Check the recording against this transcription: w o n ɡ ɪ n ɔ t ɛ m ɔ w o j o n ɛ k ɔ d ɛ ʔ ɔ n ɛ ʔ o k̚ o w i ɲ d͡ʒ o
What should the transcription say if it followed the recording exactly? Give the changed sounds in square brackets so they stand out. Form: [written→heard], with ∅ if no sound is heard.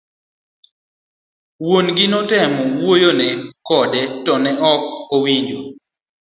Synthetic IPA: w o n ɡ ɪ n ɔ t ɛ m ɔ w o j o n ɛ k ɔ d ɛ [ʔ→t] ɔ n ɛ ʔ [o→ɔ] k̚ o w i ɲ d͡ʒ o